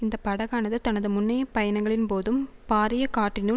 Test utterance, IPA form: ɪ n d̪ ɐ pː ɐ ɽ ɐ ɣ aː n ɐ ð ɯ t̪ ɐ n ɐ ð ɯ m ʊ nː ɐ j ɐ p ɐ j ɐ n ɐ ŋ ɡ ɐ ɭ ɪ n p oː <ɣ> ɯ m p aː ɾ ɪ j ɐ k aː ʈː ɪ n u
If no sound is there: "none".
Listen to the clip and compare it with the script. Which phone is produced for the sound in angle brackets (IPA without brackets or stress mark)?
ð